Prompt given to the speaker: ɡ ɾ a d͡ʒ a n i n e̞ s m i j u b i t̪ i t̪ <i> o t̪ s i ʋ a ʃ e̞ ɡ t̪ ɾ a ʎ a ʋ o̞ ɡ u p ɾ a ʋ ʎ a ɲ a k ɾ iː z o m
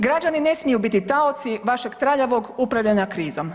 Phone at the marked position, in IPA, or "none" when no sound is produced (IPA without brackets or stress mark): a